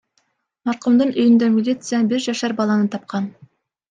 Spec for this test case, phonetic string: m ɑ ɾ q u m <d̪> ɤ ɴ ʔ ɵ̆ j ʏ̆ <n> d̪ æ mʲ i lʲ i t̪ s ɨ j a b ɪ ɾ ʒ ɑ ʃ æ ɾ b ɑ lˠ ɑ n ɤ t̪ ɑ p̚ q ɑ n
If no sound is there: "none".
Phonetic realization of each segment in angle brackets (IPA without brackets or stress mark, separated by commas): d̪, n